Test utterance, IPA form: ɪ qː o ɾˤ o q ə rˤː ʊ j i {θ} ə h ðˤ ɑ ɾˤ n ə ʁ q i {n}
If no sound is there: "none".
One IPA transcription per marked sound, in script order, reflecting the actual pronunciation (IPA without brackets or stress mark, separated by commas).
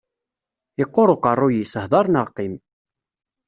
s, m